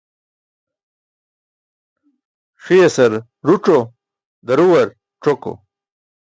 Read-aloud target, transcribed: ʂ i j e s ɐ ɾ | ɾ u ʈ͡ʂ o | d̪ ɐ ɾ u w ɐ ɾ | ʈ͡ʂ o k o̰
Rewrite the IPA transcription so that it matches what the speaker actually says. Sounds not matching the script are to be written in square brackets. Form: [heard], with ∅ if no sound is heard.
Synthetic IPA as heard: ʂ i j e s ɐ ɾ | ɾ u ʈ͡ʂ o | d̪ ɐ ɾ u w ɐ ɾ | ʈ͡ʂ o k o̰